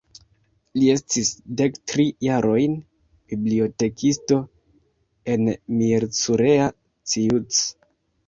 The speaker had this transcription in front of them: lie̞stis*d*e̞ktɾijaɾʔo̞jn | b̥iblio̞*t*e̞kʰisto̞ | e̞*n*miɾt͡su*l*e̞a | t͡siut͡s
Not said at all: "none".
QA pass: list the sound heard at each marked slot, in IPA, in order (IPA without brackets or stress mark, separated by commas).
d, t, n, ɾ